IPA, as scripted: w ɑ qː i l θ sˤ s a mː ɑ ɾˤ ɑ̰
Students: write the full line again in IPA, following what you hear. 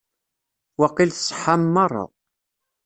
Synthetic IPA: w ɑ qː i l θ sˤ ħ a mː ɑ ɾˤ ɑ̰

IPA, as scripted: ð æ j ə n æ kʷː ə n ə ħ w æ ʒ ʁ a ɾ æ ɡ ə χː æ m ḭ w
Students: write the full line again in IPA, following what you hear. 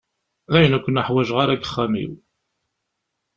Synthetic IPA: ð æ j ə n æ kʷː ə n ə ħ w æ ʒ ʁ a ɾ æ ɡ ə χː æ m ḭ w

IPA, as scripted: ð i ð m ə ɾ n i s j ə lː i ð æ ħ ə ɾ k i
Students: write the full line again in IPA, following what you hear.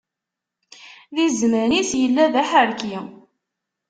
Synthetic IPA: ð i z m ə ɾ n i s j ə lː æ ð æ ħ ə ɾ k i

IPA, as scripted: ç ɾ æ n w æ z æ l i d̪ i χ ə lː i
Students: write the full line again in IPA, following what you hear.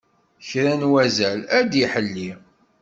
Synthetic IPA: ç ɾ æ n w æ z æ l æ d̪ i ħ ə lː i

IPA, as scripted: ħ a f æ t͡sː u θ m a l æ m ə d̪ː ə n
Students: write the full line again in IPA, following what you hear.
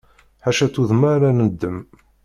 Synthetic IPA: ħ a ʃ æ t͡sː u ð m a ɾ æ n ə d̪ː ə m

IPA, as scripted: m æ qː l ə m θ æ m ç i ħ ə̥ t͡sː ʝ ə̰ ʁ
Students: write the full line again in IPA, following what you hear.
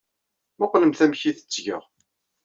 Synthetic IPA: m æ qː l ə m θ æ m ç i θ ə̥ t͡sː ʝ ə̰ ʁ

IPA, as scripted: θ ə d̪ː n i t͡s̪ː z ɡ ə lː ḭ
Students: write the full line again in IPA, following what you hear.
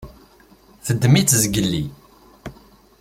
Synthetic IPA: θ ə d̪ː m i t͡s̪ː z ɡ ə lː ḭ

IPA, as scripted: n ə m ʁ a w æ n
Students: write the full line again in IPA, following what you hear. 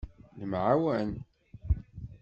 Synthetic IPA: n ə m ʕ a w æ n

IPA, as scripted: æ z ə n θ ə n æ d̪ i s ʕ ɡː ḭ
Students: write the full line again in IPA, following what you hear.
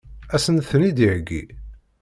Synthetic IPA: æ s ə n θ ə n i d̪ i ʕ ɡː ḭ

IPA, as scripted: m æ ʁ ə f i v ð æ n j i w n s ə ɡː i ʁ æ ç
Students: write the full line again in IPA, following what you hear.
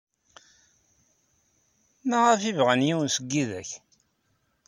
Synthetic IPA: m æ ʁ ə f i v ʁ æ n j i w n s ə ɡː i ð æ ç

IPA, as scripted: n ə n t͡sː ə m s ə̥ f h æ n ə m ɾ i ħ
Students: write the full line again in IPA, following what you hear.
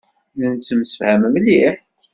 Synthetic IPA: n ə n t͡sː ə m s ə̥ f h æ m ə m l i ħ

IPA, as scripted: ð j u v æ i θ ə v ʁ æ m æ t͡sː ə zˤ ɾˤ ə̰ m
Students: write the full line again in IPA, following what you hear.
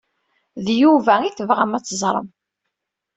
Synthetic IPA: ð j u v æ i θ ə v ʁ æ m æ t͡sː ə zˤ ɾˤ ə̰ m

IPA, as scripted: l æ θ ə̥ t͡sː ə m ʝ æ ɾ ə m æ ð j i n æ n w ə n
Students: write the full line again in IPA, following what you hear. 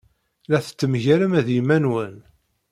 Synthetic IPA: l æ θ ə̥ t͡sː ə m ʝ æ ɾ ə m æ ð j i m æ n w ə n

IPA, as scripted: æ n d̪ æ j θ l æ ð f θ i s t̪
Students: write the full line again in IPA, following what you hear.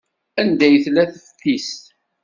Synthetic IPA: æ n d̪ æ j θ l æ θ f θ i s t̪

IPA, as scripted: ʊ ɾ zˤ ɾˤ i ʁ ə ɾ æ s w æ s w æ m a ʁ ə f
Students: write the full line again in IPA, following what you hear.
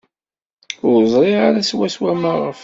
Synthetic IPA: ʊ ɾ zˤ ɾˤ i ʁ a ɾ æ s w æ s w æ m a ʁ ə f

